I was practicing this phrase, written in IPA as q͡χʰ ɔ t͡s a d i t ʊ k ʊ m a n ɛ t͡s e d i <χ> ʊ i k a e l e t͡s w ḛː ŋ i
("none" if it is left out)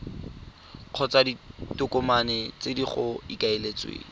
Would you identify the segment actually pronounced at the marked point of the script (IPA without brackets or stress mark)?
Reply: χ